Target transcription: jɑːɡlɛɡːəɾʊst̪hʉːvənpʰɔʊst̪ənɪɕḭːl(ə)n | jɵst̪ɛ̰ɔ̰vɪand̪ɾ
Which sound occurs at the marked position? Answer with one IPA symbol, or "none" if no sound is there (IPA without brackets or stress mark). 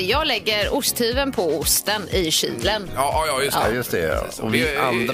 ə